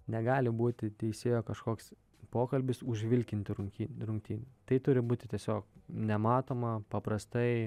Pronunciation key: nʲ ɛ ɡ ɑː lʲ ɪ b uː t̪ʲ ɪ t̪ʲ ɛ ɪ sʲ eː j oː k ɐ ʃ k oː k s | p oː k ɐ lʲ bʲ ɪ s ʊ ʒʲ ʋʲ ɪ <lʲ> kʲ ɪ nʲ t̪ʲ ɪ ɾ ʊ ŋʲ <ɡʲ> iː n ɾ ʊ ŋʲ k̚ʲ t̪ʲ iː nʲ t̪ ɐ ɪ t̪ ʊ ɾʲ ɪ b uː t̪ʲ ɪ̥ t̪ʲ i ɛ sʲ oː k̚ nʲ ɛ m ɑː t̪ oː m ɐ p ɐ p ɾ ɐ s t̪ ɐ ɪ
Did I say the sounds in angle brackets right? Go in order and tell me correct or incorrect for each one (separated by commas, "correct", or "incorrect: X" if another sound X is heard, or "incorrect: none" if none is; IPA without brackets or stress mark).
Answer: correct, incorrect: kʲ